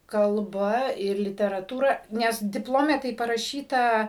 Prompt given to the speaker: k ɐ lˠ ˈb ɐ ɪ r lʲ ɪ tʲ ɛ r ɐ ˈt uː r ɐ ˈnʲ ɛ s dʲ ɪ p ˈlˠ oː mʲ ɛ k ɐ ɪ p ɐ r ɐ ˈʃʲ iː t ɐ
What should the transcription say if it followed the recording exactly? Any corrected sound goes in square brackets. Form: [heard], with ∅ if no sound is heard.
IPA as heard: k ɐ lˠ ˈb ɐ ɪ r lʲ ɪ tʲ ɛ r ɐ ˈt uː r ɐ ˈnʲ ɛ s dʲ ɪ p ˈlˠ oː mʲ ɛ [t] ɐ ɪ p ɐ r ɐ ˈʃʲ iː t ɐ